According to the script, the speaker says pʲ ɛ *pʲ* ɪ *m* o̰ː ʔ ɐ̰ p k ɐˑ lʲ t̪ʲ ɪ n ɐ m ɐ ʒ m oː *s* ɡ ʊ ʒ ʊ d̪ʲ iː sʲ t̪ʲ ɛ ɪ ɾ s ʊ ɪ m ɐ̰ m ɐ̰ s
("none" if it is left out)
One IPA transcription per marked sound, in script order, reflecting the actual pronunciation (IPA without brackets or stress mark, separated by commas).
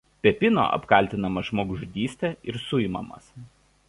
pʲ, n, none